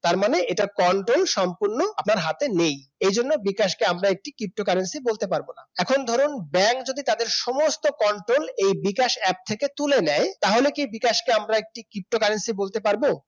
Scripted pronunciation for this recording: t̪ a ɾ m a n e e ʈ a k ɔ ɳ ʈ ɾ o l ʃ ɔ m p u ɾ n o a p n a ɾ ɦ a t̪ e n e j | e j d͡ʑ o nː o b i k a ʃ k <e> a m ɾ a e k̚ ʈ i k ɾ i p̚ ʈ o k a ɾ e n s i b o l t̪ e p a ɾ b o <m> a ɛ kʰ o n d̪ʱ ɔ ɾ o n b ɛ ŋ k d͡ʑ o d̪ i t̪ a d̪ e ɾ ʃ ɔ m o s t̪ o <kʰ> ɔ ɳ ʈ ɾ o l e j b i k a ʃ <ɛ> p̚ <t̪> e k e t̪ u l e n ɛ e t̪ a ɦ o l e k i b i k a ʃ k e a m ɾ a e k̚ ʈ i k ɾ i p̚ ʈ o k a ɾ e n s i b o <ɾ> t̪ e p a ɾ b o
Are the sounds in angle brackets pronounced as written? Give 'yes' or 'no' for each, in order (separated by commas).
yes, no, no, yes, no, no